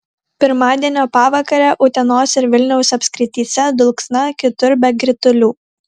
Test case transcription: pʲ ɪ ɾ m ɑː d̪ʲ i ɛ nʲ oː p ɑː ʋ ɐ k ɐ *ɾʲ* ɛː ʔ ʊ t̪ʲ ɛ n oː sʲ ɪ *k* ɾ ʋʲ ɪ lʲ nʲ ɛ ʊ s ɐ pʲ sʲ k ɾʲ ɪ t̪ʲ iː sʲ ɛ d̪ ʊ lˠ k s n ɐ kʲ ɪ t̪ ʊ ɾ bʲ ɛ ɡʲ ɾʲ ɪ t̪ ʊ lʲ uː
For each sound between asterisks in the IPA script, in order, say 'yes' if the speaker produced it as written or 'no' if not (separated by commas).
yes, no